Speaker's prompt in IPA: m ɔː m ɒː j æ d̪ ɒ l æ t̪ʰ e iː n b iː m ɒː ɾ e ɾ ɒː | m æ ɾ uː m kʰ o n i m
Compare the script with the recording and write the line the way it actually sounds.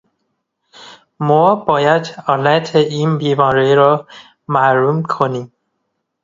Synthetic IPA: m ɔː b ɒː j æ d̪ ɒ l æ t̪ʰ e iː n b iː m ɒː ɾ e ɾ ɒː | m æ ɾ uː m kʰ o n i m